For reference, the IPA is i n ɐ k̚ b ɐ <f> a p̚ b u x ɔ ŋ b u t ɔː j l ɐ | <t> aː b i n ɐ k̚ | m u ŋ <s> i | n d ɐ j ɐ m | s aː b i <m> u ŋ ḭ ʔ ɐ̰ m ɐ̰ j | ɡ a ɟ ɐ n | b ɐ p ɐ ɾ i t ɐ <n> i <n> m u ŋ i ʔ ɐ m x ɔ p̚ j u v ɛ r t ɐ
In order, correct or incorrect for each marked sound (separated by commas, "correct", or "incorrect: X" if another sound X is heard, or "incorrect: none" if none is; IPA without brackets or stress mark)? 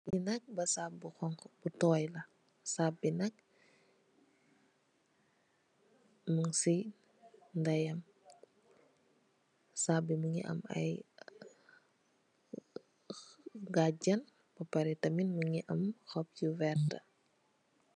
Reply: incorrect: s, incorrect: s, correct, correct, incorrect: m, correct